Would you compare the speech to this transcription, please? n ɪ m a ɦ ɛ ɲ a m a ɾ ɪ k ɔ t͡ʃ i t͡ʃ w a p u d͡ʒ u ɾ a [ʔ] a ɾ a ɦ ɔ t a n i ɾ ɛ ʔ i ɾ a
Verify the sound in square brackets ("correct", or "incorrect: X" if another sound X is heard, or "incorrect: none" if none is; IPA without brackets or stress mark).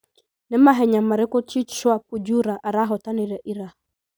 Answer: correct